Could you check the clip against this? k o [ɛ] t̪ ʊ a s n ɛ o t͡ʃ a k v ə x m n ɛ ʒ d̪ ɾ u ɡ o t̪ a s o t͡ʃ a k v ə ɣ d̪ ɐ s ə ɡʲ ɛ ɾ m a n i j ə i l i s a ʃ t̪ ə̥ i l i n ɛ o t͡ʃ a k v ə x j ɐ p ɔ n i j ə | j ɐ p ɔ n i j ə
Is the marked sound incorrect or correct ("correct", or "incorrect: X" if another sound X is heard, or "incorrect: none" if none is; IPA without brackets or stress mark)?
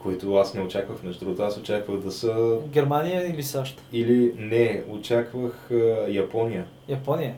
incorrect: i